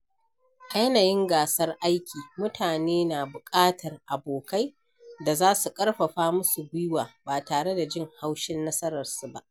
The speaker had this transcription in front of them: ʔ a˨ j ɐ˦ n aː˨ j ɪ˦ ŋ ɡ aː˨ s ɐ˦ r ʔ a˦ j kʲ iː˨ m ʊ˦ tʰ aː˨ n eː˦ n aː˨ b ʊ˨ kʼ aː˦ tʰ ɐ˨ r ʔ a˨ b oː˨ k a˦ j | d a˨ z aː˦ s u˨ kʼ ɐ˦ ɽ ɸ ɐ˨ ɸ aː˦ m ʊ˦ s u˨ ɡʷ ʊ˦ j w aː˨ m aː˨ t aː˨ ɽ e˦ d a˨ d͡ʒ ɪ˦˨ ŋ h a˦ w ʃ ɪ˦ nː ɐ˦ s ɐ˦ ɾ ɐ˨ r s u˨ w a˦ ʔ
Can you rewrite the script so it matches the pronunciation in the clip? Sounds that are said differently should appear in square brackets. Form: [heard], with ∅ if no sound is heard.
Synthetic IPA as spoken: ʔ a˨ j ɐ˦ n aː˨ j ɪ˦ ŋ ɡ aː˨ s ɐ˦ r ʔ a˦ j kʲ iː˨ m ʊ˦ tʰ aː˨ n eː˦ n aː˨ b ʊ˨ kʼ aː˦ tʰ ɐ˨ r ʔ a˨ b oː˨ k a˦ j | d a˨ z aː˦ s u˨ kʼ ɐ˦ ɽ ɸ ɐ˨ ɸ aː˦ m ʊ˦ s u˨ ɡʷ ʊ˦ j w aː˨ [b] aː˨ t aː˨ ɽ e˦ d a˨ d͡ʒ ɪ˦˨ ŋ h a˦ w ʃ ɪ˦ nː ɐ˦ s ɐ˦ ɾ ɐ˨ r s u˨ [b] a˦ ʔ